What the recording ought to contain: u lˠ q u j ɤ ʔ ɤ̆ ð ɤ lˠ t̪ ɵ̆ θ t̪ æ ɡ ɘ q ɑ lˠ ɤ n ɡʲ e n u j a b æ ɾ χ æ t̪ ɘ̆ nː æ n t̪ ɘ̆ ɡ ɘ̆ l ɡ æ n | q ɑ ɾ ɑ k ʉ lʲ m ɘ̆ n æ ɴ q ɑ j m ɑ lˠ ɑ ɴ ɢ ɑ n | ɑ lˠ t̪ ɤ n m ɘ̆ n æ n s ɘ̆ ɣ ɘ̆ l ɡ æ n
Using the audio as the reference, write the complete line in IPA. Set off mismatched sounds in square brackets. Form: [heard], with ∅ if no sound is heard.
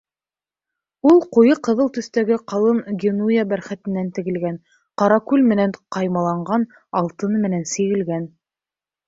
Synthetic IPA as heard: u lˠ q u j ɤ [q] ɤ̆ ð ɤ lˠ t̪ ɵ̆ θ t̪ æ ɡ ɘ q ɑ lˠ ɤ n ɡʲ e n u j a b æ ɾ χ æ t̪ ɘ̆ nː æ n t̪ ɘ̆ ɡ ɘ̆ l ɡ æ n | q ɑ ɾ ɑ k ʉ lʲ m ɘ̆ n æ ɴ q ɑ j m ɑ lˠ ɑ ɴ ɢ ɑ n | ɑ lˠ t̪ ɤ n m ɘ̆ n æ n s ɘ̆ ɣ ɘ̆ l ɡ æ n